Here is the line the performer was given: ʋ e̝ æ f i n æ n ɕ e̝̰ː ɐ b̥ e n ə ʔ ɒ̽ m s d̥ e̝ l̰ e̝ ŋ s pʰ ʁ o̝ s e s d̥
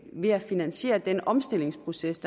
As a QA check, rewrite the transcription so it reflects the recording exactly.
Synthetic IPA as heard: ʋ e̝ æ f i n æ n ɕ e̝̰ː ɐ d̥ e n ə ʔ ɒ̽ m s d̥ e̝ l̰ e̝ ŋ s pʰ ʁ o̝ s e s d̥